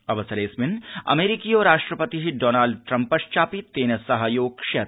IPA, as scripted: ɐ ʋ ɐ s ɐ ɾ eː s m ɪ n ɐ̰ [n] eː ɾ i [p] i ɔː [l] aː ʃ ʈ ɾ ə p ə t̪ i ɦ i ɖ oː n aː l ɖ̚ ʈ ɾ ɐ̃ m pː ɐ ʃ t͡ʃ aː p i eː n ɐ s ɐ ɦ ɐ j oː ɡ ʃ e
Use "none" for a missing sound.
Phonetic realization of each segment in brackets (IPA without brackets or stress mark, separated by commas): m, k, ɾ